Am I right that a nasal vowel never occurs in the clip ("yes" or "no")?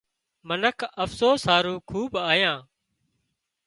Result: no